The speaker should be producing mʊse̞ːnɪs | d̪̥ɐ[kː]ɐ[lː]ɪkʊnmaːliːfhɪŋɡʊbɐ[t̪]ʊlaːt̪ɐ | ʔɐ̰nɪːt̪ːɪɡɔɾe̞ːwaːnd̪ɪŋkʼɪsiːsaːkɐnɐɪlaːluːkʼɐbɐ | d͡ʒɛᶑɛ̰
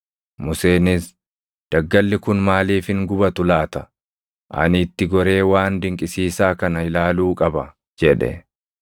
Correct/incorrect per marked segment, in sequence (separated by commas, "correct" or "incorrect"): incorrect, correct, correct